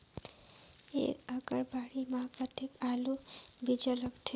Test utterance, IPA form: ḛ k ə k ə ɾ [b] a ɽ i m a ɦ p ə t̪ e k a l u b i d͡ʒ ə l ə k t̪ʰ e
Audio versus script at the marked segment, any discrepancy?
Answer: no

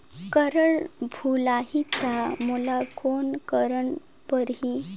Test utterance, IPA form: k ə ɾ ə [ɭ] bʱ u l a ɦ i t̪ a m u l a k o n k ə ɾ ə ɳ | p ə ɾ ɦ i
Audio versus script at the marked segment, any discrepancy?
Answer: no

